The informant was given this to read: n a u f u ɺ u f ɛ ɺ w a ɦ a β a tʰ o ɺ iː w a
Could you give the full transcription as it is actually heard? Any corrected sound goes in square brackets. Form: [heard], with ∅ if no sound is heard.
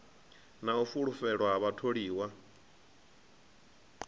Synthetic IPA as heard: n a u f u ɺ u f ɛ ɺ w a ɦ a β a tʰ o ɺ iː w a